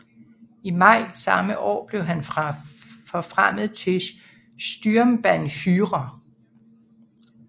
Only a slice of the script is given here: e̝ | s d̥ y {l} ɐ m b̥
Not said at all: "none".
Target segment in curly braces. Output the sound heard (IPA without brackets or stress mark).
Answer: none